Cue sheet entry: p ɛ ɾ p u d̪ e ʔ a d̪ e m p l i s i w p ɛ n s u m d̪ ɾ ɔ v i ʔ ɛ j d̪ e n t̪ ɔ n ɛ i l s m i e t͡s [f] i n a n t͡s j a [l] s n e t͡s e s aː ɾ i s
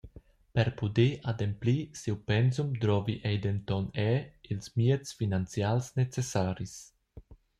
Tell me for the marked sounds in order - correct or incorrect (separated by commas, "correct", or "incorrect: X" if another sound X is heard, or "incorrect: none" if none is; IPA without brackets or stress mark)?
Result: correct, correct